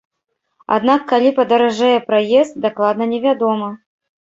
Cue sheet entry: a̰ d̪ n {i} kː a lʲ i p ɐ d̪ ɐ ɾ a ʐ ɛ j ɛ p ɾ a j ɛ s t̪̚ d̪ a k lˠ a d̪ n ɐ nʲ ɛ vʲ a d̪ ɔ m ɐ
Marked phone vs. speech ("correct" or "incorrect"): incorrect